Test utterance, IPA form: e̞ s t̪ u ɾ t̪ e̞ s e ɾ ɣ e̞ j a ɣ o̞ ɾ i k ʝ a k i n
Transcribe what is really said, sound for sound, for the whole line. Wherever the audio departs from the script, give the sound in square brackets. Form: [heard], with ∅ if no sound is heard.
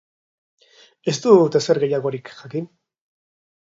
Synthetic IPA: e̞ s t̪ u [∅] t̪ e̞ s e ɾ ɣ e̞ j a ɣ o̞ ɾ i k ʝ a k i n